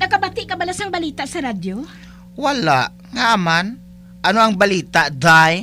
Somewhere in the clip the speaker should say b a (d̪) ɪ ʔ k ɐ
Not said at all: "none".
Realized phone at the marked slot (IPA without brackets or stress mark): t̪